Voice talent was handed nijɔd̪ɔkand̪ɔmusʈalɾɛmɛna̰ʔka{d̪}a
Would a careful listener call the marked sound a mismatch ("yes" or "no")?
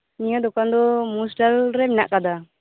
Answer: no